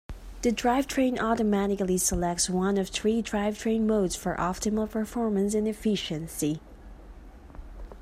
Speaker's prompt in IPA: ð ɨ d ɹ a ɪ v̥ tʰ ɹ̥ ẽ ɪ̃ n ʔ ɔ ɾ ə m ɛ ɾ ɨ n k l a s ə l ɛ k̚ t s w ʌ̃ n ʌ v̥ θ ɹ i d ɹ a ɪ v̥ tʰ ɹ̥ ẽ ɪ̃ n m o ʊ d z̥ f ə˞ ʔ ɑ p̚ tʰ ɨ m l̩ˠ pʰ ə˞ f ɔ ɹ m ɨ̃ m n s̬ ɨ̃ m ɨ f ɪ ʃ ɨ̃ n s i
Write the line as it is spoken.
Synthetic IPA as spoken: ð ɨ d ɹ a ɪ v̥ tʰ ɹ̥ ẽ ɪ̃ n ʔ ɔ ɾ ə m æ ɾ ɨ k l i s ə l ɛ k̚ t s w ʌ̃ n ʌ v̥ θ ɹ i d ɹ a ɪ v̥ tʰ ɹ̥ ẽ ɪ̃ n m o ʊ d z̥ f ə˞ ʔ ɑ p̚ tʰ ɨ m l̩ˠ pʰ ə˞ f ɔ ɹ m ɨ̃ n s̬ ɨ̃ n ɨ f ɪ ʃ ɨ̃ n s i